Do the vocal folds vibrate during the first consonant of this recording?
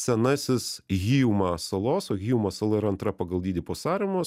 no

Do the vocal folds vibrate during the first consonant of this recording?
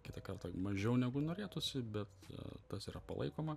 no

